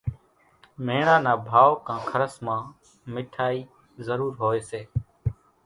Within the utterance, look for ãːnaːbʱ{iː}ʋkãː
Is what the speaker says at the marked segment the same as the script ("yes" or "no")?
no